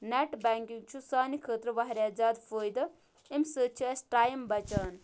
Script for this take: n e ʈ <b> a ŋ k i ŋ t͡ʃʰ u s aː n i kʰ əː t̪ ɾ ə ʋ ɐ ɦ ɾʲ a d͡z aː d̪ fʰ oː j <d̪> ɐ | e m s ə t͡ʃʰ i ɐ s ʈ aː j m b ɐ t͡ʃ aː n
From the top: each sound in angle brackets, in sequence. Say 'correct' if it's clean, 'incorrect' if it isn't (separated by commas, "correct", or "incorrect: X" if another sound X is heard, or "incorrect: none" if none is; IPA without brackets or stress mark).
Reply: correct, correct